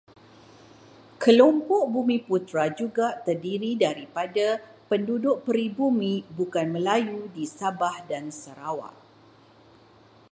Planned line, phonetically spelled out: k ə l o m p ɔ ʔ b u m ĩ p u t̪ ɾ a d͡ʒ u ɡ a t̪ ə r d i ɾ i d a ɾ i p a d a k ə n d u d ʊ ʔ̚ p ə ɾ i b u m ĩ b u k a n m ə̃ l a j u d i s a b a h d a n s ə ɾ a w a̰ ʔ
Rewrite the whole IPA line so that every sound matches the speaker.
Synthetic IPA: k ə l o m p ɔ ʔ b u m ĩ p u t̪ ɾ a d͡ʒ u ɡ a t̪ ə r d i ɾ i d a ɾ i p a d a p ə n d u d ʊ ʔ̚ p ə ɾ i b u m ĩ b u k a n m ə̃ l a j u d i s a b a h d a n s ə ɾ a w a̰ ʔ